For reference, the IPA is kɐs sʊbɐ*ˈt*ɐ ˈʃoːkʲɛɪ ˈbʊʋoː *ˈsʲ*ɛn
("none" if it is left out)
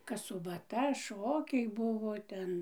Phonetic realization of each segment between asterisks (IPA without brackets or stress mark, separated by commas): t, tʲ